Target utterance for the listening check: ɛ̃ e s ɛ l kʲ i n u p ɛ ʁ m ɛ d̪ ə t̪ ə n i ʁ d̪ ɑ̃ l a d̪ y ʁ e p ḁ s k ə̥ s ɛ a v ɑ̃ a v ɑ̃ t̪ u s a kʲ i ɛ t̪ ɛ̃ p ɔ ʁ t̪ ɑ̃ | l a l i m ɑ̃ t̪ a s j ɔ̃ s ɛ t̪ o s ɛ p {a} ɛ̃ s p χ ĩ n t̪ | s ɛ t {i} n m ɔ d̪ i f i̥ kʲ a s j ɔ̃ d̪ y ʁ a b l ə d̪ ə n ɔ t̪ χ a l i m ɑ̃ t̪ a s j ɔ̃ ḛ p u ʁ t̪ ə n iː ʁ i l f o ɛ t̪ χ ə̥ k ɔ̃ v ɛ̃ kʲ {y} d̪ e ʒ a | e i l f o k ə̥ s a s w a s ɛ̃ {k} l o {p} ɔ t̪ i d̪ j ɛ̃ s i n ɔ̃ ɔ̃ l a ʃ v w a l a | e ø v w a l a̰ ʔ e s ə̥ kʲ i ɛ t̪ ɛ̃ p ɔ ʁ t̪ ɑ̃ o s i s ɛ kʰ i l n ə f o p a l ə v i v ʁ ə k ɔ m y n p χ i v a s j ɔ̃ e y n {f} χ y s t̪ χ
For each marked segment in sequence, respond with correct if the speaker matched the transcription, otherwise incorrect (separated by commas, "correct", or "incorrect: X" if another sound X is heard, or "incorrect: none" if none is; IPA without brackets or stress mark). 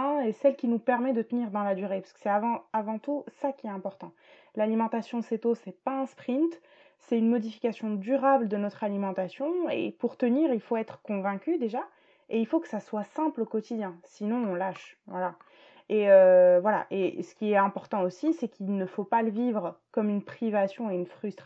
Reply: correct, incorrect: y, correct, incorrect: p, incorrect: k, correct